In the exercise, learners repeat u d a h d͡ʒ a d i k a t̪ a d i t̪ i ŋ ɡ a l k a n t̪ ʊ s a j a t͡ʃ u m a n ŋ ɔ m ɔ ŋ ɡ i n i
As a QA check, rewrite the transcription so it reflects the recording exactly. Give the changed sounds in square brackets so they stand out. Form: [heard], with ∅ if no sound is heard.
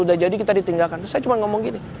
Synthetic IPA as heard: u d a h d͡ʒ a d i k [i] t̪ a d i t̪ i ŋ ɡ a l k a n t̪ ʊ s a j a t͡ʃ u m a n ŋ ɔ m ɔ ŋ ɡ i n i